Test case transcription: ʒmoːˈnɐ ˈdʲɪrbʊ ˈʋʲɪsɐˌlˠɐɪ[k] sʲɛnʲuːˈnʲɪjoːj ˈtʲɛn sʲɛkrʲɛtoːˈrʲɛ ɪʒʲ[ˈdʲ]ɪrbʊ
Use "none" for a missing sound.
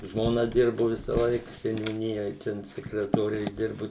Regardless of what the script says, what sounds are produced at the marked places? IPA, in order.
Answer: k, dʲ

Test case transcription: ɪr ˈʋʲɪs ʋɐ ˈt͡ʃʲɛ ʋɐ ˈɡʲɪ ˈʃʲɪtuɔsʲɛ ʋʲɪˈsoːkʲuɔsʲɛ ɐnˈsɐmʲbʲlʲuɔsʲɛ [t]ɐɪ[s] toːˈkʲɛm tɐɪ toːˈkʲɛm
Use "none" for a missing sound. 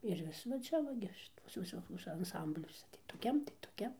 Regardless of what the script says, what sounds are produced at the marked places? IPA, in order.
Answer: t, none

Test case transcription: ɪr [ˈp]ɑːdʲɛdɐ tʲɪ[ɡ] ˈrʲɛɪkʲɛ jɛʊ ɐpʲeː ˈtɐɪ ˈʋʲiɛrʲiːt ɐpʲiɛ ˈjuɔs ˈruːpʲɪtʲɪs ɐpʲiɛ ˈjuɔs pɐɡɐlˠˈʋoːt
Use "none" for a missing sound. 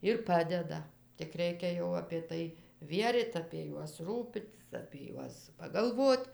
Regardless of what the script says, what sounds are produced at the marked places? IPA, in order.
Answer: p, k

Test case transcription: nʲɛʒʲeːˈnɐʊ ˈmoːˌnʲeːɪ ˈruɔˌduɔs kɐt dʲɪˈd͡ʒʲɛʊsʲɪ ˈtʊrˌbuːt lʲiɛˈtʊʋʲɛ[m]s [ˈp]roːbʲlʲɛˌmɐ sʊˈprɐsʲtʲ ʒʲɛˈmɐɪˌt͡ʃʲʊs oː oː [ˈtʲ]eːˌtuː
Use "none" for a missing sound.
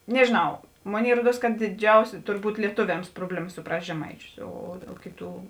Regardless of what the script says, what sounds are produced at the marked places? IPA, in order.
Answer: m, p, kʲ

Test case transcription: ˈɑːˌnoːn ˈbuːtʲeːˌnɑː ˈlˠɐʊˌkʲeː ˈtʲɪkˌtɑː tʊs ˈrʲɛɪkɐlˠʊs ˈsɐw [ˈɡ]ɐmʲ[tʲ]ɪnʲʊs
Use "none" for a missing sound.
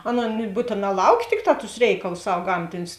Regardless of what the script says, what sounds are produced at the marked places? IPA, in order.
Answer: ɡ, tʲ

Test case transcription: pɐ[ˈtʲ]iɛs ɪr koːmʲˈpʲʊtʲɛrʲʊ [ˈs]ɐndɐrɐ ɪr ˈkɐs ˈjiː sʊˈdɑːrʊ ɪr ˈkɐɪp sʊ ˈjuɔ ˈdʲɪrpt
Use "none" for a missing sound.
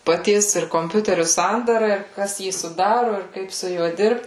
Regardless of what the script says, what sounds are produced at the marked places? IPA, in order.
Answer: tʲ, s

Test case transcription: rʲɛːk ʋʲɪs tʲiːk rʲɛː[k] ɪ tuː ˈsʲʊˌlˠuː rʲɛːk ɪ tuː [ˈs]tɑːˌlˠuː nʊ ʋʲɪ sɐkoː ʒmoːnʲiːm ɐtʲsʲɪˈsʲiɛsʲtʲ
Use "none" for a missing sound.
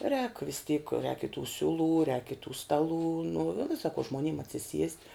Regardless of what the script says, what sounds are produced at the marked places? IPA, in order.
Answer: k, s

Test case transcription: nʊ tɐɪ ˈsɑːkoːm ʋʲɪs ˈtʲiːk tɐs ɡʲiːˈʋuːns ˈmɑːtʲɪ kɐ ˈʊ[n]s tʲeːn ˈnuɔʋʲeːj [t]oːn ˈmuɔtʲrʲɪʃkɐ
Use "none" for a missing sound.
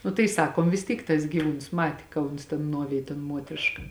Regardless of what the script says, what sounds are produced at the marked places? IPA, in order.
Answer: n, t

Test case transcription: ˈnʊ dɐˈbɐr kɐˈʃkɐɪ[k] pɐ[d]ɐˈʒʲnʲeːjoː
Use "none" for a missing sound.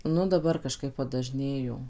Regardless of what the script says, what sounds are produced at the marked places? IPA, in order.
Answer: p, d

